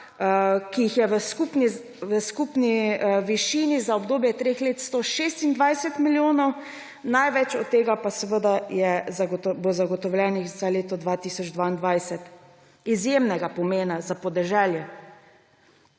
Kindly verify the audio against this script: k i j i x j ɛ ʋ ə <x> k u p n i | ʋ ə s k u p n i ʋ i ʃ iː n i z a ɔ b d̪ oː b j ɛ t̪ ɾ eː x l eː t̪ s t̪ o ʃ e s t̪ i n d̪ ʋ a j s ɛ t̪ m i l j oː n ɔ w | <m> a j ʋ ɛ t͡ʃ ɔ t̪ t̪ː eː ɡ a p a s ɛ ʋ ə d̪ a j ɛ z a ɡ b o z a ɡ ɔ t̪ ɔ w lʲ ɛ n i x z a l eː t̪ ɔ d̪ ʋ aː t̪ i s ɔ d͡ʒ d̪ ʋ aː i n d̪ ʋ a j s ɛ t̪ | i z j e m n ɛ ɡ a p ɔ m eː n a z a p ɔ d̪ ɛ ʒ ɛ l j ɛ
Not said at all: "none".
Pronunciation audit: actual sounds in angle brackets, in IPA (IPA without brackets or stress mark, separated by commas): s, n